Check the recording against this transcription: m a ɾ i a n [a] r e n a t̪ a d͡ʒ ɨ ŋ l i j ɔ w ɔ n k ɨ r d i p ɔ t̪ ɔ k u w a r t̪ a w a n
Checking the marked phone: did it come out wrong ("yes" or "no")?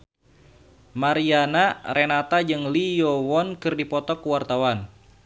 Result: no